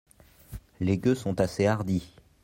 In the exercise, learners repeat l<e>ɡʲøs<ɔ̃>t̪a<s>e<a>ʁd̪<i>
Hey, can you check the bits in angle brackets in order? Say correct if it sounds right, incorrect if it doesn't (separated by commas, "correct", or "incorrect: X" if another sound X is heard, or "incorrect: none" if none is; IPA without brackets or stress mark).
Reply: correct, correct, correct, correct, correct